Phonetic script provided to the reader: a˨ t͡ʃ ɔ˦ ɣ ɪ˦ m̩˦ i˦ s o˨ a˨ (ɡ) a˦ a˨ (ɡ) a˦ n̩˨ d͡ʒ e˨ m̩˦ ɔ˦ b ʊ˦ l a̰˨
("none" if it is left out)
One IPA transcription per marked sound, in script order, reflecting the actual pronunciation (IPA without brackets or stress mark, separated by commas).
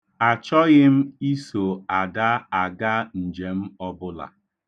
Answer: d, ɡ